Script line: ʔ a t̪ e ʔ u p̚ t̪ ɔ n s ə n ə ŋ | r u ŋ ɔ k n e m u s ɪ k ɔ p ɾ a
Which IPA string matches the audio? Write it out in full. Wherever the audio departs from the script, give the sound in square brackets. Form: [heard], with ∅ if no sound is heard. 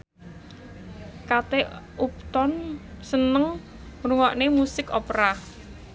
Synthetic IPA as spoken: [k] a t̪ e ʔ u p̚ t̪ ɔ n s ə n ə ŋ | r u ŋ ɔ [ʔ] n e m u s ɪ k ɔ p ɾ a